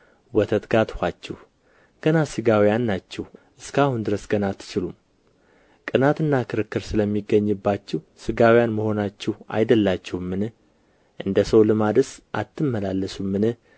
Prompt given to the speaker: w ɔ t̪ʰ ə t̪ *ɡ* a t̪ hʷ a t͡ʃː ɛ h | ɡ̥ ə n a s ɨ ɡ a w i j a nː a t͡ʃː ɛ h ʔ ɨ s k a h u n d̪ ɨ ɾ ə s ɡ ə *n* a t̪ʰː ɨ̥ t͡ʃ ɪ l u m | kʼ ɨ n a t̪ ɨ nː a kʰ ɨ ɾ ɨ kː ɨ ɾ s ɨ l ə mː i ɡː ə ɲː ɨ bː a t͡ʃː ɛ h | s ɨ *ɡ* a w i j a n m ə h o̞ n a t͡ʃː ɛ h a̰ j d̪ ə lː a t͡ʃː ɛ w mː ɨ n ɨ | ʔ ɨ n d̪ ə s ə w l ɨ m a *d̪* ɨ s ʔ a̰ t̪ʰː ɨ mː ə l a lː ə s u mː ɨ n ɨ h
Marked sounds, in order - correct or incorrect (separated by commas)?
correct, correct, correct, correct